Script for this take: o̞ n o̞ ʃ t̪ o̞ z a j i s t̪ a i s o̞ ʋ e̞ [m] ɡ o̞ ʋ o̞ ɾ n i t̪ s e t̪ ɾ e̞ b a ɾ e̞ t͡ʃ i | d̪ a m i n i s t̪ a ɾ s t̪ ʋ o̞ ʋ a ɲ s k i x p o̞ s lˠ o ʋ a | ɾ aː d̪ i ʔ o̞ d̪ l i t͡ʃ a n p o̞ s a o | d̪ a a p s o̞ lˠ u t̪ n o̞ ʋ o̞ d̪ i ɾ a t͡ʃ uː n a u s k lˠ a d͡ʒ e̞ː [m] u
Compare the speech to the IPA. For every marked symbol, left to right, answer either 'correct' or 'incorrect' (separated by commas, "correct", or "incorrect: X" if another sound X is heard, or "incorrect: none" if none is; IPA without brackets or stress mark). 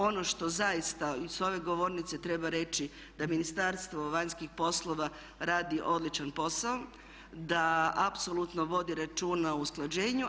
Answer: incorrect: none, incorrect: ɲ